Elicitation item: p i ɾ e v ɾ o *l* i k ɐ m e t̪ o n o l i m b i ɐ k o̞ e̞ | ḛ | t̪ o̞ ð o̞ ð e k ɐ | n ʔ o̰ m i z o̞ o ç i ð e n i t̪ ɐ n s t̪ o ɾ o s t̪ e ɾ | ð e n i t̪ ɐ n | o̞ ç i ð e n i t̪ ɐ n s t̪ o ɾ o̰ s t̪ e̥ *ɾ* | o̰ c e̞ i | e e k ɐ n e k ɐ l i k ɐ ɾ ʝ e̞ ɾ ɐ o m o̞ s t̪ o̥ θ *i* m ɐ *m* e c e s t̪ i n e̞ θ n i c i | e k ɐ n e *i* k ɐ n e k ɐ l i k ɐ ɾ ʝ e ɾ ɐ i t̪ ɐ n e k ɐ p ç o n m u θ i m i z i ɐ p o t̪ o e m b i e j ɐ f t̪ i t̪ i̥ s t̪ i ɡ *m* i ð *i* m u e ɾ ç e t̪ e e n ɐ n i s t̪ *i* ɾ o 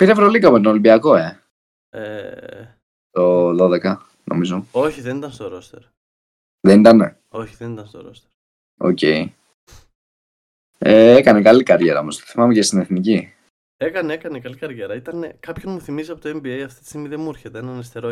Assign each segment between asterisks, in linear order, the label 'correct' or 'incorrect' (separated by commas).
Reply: correct, correct, correct, correct, incorrect, correct, incorrect, incorrect